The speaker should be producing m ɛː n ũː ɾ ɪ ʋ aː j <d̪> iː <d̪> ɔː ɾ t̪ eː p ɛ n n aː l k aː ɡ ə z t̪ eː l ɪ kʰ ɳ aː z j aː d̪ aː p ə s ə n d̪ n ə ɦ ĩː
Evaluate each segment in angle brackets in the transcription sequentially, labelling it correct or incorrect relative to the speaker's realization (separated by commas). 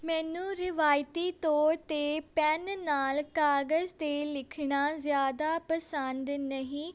incorrect, incorrect